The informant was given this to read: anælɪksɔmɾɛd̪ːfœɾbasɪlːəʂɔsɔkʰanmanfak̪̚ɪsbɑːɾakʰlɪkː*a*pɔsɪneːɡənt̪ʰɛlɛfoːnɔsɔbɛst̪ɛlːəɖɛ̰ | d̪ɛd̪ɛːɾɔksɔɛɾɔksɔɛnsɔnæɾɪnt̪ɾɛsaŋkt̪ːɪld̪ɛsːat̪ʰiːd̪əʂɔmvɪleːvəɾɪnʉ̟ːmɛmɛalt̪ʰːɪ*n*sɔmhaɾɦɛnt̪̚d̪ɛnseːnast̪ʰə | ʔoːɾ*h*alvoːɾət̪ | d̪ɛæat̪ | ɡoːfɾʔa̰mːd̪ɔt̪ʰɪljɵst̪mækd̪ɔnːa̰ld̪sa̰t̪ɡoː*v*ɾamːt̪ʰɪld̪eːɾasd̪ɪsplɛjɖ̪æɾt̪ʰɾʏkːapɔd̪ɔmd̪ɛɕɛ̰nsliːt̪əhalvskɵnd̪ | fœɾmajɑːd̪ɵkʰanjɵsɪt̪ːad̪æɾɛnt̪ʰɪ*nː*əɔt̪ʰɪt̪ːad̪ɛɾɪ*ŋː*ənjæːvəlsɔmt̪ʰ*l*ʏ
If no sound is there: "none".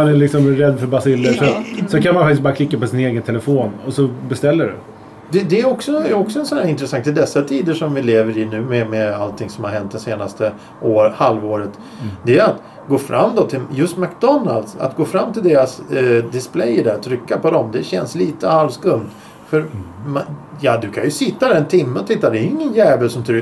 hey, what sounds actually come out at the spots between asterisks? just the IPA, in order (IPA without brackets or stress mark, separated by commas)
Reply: a, ŋ, h, f, mː, ŋː, ɾ